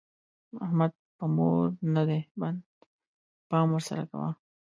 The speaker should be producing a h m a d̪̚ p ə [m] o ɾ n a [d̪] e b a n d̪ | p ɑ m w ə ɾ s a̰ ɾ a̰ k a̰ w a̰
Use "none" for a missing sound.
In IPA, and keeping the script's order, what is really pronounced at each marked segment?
m, d̪

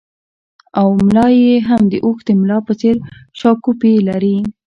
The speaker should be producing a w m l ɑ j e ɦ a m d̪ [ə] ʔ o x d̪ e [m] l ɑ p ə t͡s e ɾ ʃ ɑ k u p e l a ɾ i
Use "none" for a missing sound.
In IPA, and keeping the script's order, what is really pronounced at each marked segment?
ə, m

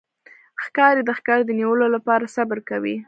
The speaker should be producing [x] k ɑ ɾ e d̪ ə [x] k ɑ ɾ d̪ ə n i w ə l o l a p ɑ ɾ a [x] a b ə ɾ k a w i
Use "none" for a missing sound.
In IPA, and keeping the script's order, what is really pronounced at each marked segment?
x, x, s

